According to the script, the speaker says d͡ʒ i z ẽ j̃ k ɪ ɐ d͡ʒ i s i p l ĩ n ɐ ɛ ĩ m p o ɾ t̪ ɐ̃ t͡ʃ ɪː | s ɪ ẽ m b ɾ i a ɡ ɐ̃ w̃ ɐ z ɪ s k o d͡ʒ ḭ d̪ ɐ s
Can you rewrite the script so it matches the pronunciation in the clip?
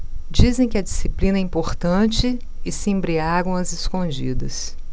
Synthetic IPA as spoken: d͡ʒ i z ẽ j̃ k ɪ ɐ d͡ʒ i s i p l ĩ n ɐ ɛ ĩ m p o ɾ t̪ ɐ̃ t͡ʃ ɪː | s ɪ ẽ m b ɾ i a ɡ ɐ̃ w̃ ɐ z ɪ s k õ d͡ʒ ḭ d̪ ɐ s

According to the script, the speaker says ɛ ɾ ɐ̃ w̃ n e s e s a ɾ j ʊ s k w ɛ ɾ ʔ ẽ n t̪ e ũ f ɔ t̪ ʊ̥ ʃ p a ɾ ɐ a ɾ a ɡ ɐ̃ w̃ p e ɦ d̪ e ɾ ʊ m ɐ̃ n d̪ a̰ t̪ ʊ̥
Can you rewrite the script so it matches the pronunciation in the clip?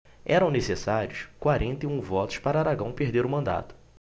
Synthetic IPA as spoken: ɛ ɾ ɐ̃ w̃ n e s e s a ɾ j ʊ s k w a ɾ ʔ ẽ n t̪ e ũ v ɔ t̪ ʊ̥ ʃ p a ɾ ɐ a ɾ a ɡ ɐ̃ w̃ p e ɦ d̪ e ɾ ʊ m ɐ̃ n d̪ a̰ t̪ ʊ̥

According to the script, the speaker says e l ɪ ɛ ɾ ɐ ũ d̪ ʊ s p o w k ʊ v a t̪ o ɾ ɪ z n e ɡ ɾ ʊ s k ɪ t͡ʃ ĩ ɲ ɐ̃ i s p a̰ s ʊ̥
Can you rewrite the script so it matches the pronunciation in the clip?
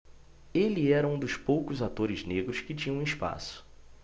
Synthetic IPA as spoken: e l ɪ ɛ ɾ ɐ ũ d̪ ʊ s p o w k ʊ z a t̪ o ɾ ɪ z n e ɡ ɾ ʊ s k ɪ t͡ʃ ĩ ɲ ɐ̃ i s p a̰ s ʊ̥

